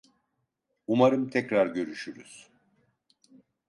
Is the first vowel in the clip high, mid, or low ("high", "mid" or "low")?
high